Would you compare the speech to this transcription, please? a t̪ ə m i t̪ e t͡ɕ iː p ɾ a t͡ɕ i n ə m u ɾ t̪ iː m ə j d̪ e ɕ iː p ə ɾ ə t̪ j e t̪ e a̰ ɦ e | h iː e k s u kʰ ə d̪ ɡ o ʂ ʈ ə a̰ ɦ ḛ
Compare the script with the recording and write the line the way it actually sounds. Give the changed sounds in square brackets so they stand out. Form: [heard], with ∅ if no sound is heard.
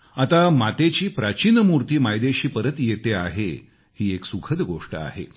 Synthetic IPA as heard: a t̪ [a] m [a] t̪ e t͡ɕ iː p ɾ a t͡ɕ i n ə m u ɾ t̪ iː m [a] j d̪ e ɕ iː p ə ɾ ə t̪ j e t̪ e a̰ ɦ e | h iː e k s u kʰ ə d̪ ɡ o ʂ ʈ ə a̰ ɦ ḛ